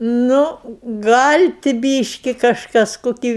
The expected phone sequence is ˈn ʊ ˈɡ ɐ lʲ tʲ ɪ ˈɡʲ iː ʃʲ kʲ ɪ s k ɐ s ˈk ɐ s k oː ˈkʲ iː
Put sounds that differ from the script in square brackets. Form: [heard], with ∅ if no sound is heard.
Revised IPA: ˈn ʊ ˈɡ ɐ lʲ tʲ ɪ [ˈbʲ] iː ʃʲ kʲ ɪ [∅] k ɐ [ʃ] ˈk ɐ s k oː ˈkʲ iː